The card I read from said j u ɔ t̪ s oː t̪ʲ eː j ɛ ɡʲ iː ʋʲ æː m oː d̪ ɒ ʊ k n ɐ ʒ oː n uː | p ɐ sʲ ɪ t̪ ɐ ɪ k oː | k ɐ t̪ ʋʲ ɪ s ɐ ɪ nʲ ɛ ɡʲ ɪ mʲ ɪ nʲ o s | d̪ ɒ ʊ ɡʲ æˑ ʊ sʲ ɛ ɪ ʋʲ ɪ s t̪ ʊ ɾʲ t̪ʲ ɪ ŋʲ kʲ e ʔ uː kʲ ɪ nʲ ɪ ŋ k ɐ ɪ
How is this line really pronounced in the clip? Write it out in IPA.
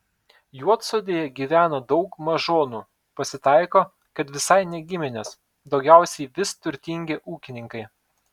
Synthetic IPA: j u ɔ t̪ s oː d̪ʲ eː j ɛ ɡʲ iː ʋʲ æː n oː d̪ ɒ ʊ k m ɐ ʒ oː n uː | p ɐ sʲ ɪ t̪ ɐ ɪ k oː | k ɐ t̪ ʋʲ ɪ s ɐ ɪ nʲ ɛ ɡʲ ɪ mʲ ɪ nʲ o s | d̪ ɒ ʊ ɡʲ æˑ ʊ sʲ ɛ ɪ ʋʲ ɪ s t̪ ʊ ɾʲ t̪ʲ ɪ ŋʲ ɡʲ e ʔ uː kʲ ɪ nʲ ɪ ŋ k ɐ ɪ